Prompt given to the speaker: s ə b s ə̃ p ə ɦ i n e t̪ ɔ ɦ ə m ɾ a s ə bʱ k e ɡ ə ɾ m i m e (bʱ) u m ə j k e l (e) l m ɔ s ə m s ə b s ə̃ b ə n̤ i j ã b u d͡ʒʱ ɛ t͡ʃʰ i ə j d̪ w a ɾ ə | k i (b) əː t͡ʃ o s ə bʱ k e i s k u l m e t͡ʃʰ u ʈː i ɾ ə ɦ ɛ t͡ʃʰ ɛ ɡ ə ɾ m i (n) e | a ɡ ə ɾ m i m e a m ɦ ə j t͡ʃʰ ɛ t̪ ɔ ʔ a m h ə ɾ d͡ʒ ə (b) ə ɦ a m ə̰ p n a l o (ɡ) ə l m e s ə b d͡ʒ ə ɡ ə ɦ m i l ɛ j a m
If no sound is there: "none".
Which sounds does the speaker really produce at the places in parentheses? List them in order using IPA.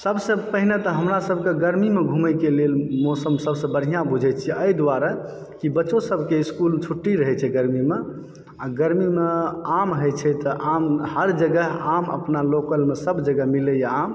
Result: ɡʱ, e, b, m, ɡ, k

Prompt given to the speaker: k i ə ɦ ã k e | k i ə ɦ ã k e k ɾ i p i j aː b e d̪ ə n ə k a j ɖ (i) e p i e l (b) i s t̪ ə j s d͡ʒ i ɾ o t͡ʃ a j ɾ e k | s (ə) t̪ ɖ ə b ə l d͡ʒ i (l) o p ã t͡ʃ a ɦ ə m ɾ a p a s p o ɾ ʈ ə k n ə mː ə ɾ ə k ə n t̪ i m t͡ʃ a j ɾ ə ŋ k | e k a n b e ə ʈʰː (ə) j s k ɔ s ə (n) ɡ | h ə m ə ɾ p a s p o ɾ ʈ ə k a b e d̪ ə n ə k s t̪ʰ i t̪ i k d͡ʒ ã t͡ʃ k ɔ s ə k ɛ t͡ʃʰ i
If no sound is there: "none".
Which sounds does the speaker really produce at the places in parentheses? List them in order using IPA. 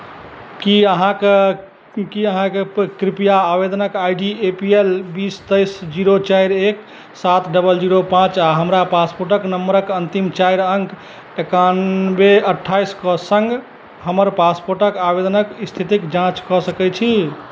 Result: i, b, a, ɾ, a, ŋ

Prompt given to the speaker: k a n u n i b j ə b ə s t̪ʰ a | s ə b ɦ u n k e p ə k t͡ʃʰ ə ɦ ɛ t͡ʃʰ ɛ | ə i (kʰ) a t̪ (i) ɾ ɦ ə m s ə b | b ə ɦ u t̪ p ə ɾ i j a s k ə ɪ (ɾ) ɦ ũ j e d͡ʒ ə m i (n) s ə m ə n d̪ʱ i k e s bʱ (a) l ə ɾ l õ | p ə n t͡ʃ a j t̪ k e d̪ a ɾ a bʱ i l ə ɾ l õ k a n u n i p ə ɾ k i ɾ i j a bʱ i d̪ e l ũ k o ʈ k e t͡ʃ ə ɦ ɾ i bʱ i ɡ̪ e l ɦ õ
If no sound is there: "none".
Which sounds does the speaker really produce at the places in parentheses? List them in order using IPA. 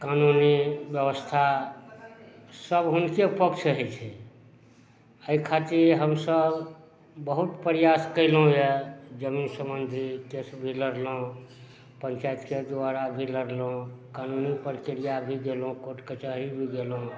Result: kʰ, i, l, n, i

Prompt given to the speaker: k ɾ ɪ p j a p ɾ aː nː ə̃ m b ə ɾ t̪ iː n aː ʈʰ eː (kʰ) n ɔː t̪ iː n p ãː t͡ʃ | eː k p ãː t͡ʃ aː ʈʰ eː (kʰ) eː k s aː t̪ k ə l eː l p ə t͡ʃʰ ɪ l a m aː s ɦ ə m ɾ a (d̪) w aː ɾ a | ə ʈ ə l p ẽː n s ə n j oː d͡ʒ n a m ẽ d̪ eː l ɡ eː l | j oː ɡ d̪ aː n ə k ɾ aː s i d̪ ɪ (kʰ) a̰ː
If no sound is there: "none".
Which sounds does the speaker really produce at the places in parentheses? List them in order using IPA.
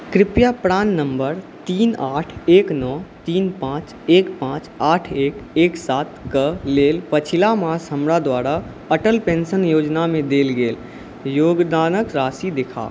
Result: k, k, d̪, kʰ

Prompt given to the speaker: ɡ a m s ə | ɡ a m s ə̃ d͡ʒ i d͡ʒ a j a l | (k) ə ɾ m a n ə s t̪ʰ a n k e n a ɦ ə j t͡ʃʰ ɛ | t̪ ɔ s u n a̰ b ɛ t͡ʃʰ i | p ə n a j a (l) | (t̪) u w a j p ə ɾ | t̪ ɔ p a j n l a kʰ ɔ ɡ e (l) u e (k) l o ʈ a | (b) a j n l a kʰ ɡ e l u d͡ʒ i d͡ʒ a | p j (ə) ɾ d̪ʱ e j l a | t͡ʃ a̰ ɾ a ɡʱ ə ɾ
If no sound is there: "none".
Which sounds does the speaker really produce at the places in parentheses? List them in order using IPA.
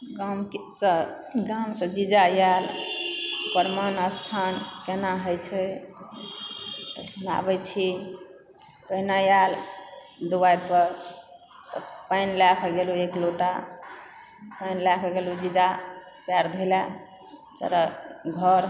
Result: p, l, d̪, l, k, p, a

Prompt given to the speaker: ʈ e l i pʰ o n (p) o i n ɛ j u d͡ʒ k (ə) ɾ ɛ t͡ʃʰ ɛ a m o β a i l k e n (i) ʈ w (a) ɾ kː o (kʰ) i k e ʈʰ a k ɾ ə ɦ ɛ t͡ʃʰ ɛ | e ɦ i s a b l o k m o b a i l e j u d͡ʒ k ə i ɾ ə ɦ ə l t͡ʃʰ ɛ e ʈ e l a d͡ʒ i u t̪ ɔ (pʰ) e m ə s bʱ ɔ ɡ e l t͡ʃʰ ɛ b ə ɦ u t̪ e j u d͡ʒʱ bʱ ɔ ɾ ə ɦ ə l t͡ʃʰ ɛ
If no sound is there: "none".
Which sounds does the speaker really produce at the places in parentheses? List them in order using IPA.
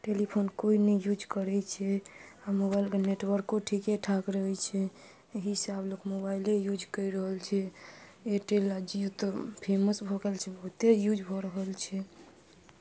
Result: k, ə, e, ə, ʈʰ, pʰ

